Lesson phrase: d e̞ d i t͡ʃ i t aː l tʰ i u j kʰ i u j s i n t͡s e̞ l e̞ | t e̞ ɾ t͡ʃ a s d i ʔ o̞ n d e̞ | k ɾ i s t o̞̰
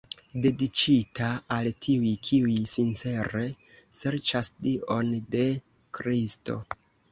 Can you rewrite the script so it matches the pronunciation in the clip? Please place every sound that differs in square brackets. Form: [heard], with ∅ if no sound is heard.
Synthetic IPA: d e̞ d i t͡ʃ i t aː l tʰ i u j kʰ i u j s i n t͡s e̞ [ɾ] e̞ | [s] e̞ ɾ t͡ʃ a s d i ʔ o̞ n d e̞ | k ɾ i s t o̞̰